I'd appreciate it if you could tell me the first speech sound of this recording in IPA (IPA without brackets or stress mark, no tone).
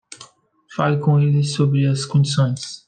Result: f